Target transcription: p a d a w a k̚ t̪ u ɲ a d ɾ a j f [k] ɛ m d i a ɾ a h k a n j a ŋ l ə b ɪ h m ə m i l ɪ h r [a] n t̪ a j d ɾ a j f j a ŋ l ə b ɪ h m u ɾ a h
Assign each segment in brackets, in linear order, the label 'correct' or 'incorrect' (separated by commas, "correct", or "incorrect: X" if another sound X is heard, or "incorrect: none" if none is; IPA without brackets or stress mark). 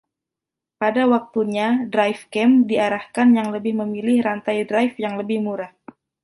correct, correct